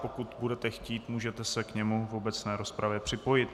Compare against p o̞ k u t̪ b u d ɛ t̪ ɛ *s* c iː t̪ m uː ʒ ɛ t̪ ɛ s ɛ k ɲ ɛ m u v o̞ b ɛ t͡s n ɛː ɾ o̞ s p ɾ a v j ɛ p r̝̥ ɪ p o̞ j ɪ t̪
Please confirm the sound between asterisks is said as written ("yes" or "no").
no